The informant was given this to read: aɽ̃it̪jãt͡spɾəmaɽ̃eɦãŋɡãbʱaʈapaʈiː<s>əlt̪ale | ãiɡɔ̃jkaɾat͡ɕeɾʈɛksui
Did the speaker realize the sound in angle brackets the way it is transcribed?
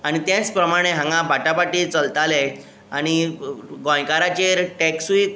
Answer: no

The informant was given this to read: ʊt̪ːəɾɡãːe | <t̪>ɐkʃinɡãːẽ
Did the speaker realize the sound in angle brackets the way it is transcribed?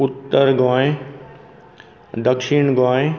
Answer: no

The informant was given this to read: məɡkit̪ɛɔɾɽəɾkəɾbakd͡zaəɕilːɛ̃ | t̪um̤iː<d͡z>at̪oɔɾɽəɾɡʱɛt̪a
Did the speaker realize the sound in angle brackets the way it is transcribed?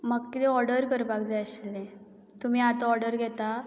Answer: no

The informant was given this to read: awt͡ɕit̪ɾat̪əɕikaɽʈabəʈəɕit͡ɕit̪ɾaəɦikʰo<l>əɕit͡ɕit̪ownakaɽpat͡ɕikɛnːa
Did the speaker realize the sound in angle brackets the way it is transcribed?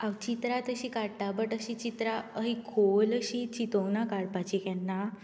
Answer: yes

